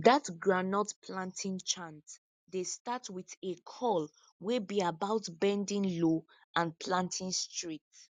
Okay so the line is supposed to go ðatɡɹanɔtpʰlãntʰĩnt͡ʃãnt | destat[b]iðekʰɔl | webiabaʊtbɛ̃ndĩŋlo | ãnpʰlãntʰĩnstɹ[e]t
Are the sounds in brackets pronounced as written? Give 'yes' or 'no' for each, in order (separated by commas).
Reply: no, no